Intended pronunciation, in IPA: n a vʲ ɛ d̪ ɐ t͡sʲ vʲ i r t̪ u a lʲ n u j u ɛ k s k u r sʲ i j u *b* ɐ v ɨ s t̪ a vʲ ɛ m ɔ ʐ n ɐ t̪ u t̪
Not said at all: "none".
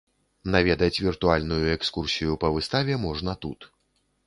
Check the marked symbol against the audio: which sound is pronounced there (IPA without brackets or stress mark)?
p